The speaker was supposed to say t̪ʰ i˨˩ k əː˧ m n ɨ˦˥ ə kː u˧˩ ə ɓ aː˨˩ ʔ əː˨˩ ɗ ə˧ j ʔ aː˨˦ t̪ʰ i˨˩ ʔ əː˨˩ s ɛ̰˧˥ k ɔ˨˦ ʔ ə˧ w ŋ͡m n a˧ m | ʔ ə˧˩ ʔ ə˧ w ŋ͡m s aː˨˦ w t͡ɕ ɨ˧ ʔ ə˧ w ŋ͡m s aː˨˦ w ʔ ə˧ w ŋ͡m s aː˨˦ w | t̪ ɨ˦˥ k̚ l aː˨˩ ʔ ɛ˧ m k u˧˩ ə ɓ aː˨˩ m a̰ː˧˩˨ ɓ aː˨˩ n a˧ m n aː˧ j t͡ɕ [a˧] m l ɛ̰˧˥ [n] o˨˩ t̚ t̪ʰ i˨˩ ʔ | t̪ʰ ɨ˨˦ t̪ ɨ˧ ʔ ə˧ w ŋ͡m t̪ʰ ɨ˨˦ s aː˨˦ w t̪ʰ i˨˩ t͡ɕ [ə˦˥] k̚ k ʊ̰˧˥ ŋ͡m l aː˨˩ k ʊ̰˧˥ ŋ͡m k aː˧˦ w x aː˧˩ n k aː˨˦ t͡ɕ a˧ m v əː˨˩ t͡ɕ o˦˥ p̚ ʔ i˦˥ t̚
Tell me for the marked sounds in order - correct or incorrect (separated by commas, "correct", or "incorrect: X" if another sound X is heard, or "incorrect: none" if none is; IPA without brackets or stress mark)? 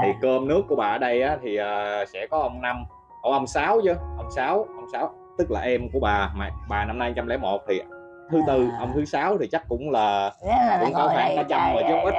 correct, incorrect: m, incorrect: a˦˥